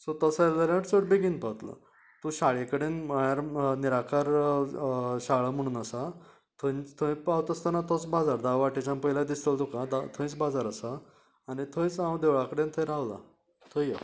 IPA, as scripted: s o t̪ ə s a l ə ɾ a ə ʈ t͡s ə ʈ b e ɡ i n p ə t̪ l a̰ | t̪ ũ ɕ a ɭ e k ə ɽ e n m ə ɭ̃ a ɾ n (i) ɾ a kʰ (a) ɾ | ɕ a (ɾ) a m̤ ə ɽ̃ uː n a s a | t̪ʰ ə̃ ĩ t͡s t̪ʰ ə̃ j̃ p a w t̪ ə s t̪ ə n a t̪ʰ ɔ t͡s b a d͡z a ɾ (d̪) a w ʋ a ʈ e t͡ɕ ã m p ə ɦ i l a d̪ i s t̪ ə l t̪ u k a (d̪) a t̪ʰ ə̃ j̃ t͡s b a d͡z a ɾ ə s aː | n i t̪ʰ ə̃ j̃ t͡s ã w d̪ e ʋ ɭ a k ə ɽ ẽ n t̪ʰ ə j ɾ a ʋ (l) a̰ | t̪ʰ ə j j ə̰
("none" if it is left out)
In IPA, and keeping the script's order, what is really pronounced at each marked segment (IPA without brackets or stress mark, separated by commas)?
i, a, ɭ, d̪, d̪, l